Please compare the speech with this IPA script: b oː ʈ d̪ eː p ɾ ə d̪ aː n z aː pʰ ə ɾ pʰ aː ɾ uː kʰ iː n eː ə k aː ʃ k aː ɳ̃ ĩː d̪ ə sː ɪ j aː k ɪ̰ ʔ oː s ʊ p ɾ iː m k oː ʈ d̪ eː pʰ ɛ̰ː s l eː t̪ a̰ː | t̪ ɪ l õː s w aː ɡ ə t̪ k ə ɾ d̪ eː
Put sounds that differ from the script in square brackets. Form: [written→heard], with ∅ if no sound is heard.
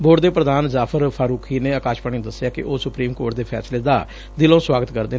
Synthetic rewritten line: b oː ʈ d̪ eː p ɾ ə d̪ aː n z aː pʰ ə ɾ pʰ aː ɾ uː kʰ iː n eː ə k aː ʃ [k→p] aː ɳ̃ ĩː d̪ ə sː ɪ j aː k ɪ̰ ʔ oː s ʊ p ɾ iː m k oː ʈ d̪ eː pʰ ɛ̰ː s l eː [t̪→d̪] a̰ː | [t̪→d̪] ɪ l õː s w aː ɡ ə t̪ k ə ɾ d̪ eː